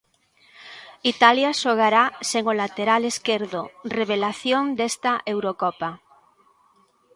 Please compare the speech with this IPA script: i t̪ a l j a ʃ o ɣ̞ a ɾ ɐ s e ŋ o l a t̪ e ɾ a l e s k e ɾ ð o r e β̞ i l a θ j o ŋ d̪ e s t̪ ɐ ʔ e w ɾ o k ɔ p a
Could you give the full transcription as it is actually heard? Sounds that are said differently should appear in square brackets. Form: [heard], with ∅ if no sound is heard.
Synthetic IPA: i t̪ a l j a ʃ o ɣ̞ a ɾ [a] s e ŋ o l a t̪ e ɾ a l e s k e ɾ ð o r e β̞ [e] l a θ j o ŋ d̪ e s t̪ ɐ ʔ e w ɾ o k ɔ p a